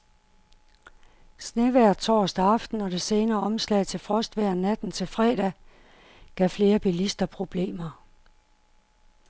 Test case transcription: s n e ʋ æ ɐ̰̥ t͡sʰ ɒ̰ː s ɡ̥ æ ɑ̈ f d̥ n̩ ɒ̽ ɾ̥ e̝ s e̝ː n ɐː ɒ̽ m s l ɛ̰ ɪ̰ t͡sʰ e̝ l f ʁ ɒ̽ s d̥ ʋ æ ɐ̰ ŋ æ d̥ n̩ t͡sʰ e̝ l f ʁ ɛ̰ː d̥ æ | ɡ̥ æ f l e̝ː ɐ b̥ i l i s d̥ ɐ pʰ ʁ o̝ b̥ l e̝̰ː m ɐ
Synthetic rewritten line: s n e ʋ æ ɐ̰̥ t͡sʰ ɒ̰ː s d̥ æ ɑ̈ f d̥ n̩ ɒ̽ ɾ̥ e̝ s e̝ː n ɐː ɒ̽ m s l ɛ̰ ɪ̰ t͡sʰ e̝ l f ʁ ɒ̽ s d̥ ʋ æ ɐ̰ n æ d̥ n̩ t͡sʰ e̝ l f ʁ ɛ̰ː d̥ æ | ɡ̥ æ f l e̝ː ɐ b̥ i l i s d̥ ɐ pʰ ʁ o̝ b̥ l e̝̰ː m ɐ